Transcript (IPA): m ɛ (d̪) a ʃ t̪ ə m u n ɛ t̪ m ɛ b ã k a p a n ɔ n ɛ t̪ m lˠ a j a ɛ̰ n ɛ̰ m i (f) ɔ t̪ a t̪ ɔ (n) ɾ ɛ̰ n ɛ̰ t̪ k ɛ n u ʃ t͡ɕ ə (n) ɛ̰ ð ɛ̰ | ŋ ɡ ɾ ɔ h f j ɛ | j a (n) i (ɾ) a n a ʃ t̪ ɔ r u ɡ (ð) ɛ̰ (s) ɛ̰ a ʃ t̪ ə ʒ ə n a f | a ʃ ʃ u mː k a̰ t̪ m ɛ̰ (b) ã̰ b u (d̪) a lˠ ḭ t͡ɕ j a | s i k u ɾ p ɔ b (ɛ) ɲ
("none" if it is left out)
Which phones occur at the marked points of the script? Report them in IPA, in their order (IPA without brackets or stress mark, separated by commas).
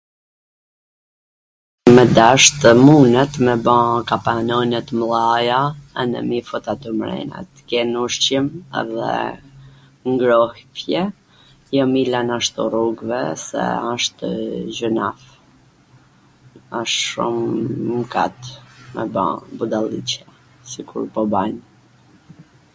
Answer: d̪, f, m, m, m, l, v, s, b, d̪, a